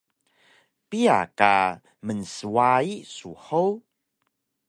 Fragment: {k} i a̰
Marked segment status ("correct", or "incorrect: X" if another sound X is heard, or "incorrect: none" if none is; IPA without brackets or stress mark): incorrect: p